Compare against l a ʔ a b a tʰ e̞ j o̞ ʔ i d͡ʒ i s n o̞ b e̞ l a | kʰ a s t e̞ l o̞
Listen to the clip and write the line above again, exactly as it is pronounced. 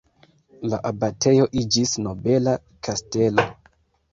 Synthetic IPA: l a ʔ a b a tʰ e̞ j o̞ ʔ i d͡ʒ i s n o̞ b e̞ l a | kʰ a s t e̞ l o̞